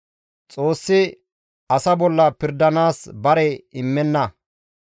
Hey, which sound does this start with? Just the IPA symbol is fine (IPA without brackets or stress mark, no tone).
t͡sʼ